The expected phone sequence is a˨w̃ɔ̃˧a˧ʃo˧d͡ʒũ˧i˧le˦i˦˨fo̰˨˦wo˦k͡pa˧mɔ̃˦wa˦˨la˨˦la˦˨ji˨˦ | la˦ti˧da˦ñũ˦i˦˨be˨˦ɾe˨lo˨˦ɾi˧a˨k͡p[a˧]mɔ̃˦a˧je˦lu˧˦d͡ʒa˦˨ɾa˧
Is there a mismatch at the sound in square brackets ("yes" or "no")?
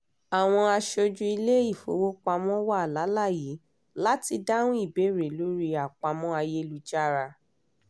no